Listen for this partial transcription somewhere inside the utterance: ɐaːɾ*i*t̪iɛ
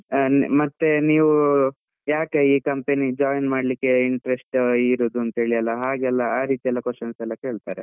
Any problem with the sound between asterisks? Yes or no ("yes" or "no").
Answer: yes